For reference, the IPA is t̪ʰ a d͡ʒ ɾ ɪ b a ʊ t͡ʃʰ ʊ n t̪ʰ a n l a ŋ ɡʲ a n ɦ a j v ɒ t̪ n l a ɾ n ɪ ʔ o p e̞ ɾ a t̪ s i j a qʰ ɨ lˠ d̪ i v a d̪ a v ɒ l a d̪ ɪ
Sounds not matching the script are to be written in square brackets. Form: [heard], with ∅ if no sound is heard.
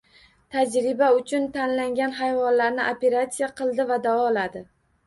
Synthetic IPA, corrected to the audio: t̪ʰ a d͡ʒ ɾ ɪ b a ʊ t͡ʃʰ ʊ n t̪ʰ a n l a ŋ ɡʲ a n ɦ a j v ɒ [∅] n l a ɾ n ɪ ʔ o p e̞ ɾ a t̪ s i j a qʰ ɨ lˠ d̪ [ɪ] v a d̪ a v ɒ l a d̪ ɪ